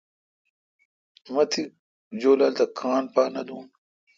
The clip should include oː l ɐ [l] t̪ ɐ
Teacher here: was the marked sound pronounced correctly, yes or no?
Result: yes